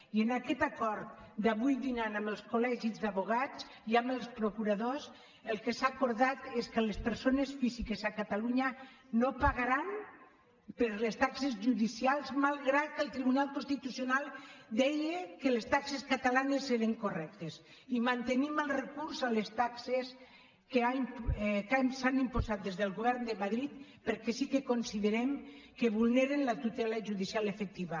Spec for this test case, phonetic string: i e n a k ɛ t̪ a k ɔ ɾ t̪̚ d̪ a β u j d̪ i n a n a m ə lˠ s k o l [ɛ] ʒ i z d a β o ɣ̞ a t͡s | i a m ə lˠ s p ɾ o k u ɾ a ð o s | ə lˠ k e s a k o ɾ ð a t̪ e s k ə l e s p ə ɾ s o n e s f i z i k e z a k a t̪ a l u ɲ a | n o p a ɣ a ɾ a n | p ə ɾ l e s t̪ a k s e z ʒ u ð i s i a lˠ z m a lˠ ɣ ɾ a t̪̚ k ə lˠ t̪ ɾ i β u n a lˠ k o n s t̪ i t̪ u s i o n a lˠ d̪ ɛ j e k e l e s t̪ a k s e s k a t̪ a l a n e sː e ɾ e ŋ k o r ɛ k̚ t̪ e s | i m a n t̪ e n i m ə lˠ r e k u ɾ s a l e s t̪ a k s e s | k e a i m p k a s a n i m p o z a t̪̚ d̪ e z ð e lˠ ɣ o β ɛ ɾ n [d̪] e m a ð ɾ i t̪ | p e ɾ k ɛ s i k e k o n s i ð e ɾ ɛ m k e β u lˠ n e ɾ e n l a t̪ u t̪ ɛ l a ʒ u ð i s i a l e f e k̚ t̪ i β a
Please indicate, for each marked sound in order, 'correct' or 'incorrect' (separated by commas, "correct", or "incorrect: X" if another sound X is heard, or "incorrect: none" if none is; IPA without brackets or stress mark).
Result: correct, correct